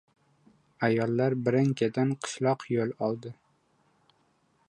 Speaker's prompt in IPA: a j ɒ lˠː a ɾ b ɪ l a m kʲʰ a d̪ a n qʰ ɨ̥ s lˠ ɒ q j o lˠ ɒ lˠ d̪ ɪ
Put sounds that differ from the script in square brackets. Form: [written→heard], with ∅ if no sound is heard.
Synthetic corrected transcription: a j ɒ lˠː a ɾ b ɪ [l→ɾ] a [m→ŋ] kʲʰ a d̪ a n qʰ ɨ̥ [s→ʃ] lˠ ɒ q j o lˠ ɒ lˠ d̪ ɪ